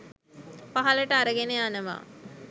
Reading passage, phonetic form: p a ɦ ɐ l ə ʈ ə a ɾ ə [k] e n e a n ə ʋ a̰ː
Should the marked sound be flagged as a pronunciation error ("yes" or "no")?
yes